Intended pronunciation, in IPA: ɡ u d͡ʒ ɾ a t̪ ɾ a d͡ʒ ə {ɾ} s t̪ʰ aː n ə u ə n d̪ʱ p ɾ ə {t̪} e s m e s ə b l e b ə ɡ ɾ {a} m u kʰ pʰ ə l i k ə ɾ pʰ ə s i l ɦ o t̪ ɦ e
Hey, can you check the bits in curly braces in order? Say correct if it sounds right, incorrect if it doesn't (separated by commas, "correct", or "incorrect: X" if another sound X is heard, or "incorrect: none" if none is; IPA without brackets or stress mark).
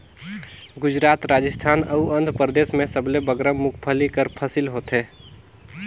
incorrect: none, incorrect: d̪, incorrect: ə